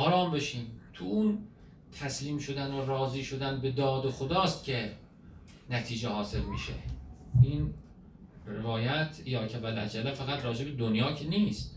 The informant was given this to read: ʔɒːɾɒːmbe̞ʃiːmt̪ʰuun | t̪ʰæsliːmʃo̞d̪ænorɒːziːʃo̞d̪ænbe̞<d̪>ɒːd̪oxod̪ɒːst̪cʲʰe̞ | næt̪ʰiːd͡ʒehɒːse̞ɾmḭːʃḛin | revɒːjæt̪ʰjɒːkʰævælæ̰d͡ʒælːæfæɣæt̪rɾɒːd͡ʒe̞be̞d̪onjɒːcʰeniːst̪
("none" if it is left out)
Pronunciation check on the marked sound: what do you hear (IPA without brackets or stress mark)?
d̪